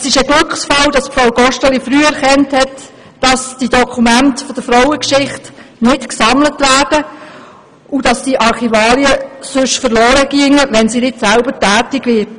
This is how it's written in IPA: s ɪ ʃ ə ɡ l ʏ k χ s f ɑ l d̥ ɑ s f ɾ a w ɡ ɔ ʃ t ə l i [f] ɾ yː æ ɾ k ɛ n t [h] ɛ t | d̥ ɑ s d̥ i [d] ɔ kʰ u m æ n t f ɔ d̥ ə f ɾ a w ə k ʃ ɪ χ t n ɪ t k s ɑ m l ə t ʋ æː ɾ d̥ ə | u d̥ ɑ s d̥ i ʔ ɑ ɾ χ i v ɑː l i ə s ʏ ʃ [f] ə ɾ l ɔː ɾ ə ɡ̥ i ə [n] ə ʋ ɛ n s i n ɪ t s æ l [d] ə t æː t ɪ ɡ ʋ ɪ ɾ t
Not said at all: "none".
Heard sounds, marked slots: f, h, d, f, ŋ, b

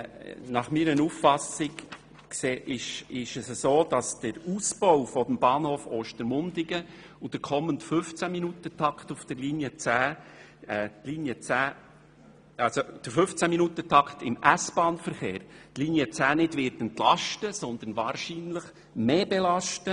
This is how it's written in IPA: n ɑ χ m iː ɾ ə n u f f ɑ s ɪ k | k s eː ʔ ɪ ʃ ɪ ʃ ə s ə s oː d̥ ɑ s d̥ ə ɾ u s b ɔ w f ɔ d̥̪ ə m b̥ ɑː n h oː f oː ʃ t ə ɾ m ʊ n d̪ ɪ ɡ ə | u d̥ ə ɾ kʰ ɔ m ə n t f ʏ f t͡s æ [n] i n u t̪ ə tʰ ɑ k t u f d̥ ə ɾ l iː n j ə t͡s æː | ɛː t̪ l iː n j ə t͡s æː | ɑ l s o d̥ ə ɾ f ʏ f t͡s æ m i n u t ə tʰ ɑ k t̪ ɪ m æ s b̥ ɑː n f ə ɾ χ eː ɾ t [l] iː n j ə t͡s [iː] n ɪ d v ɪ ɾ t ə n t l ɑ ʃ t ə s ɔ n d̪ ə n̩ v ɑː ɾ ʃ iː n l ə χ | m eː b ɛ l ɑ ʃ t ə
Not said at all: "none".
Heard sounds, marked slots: m, l, æː

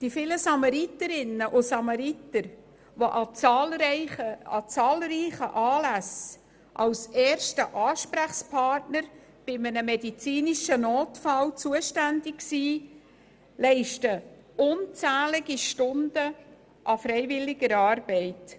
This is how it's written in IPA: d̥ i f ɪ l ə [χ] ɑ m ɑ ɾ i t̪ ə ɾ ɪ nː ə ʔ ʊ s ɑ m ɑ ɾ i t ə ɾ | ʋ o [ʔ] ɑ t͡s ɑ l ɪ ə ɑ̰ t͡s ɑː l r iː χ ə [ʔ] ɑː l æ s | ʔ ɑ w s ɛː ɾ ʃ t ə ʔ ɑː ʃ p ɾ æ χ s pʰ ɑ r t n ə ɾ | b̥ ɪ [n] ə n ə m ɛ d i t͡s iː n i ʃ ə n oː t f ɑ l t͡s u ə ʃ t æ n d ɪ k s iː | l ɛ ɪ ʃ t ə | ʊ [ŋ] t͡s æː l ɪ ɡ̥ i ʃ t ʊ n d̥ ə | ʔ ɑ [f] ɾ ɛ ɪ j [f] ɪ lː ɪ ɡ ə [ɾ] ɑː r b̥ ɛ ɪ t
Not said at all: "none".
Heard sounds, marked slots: s, ʔ, ʔ, m, n, f, v, ɾ

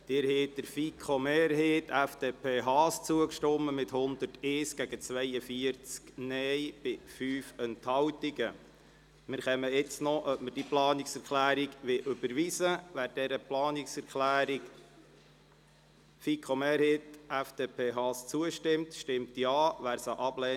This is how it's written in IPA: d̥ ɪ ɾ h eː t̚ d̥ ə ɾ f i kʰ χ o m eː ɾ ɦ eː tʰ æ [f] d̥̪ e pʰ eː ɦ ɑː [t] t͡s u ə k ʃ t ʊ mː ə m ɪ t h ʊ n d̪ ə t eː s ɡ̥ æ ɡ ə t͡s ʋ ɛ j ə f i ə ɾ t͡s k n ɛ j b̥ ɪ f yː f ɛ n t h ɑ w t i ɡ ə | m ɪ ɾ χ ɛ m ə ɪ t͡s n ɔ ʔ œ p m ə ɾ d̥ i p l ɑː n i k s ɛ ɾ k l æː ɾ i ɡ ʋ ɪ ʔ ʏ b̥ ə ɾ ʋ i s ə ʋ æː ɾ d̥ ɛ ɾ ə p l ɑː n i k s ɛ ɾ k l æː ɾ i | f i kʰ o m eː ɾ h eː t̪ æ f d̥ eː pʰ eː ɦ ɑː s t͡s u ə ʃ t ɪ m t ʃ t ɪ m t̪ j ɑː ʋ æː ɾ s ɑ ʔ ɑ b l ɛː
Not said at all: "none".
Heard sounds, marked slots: f, s

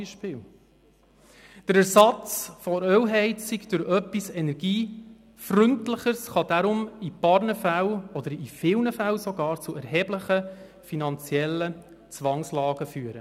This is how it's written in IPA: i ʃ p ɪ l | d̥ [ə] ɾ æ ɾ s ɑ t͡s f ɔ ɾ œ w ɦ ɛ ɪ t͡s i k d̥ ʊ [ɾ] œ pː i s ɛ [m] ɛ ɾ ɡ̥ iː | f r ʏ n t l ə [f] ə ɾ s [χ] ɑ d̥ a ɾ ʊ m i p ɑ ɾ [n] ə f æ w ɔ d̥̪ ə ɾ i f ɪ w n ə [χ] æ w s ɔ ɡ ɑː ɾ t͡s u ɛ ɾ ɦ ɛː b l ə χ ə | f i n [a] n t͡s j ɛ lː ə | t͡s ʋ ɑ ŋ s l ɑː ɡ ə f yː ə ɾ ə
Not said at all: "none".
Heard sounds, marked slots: ə, ɾ, n, χ, χ, n, f, ɑ

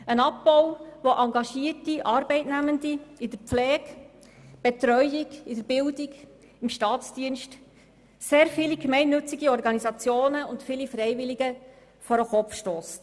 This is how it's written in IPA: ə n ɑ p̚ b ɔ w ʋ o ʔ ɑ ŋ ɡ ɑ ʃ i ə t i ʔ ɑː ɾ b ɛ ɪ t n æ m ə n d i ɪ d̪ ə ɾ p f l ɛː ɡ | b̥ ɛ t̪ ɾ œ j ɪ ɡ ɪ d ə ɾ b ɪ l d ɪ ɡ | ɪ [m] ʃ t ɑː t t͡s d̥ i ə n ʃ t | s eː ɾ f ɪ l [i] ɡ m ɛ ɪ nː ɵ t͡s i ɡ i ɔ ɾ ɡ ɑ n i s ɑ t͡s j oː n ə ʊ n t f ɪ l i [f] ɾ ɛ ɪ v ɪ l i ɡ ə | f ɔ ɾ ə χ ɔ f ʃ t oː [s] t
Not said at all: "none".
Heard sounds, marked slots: m, i, f, s

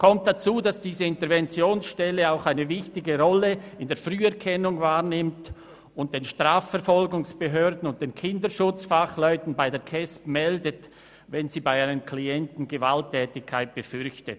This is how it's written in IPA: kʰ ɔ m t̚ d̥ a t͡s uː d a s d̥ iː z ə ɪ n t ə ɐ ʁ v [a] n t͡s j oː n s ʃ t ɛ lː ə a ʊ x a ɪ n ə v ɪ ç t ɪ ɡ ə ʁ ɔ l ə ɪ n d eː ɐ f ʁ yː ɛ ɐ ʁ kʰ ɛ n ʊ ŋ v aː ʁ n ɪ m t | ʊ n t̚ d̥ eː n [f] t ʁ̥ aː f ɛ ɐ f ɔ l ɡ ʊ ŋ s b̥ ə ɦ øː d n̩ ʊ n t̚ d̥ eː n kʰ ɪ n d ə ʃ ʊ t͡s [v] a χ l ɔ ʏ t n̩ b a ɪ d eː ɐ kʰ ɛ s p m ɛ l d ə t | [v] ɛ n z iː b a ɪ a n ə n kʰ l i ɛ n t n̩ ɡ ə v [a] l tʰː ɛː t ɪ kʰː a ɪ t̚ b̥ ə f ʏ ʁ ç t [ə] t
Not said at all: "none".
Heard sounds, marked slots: ɛ, ʃ, f, v, a, ə

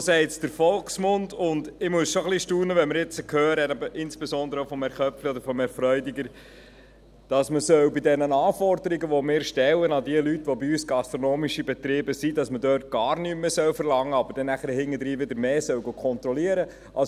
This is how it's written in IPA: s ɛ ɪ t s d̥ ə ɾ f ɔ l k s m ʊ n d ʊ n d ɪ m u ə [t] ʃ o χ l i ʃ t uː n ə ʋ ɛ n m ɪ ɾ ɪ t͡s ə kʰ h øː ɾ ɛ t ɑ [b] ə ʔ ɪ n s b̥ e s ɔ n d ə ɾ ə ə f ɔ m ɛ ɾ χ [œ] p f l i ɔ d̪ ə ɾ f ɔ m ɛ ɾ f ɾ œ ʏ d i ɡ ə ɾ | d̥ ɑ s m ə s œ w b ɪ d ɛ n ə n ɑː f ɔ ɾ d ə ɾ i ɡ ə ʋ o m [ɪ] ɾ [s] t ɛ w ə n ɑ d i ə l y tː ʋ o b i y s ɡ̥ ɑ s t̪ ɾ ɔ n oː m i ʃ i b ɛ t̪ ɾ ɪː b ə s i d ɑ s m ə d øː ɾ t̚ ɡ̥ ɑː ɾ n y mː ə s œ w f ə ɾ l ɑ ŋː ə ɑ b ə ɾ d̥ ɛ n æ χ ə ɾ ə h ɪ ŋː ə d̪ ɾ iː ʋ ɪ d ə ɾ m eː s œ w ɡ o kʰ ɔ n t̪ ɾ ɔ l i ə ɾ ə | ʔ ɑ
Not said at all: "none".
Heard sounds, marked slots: s, b, œ, ɪː, ʃ

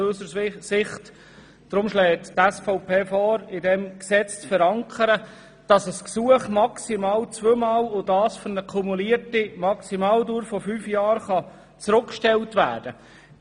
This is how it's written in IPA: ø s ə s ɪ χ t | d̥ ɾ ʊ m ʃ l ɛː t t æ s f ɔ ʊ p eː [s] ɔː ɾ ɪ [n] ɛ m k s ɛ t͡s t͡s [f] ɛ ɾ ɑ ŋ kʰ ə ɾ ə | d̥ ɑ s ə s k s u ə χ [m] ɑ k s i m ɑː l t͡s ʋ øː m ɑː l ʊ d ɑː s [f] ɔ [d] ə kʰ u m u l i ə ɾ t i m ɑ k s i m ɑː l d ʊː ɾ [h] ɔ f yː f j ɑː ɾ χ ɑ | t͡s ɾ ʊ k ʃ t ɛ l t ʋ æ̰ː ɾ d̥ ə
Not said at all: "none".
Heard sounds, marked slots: f, d, f, m, f, n, f

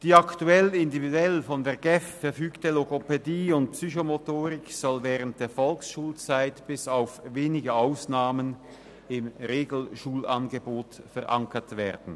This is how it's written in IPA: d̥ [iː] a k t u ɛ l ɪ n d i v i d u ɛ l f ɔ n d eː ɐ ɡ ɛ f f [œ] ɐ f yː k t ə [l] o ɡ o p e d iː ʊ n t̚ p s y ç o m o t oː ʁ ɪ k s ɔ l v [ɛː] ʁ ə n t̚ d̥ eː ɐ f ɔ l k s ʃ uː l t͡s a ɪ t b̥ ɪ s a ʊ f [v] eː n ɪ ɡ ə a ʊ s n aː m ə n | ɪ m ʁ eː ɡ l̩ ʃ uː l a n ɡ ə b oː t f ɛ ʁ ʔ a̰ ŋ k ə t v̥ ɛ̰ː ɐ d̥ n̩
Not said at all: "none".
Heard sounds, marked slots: iː, ɛ, l, ɛː, v

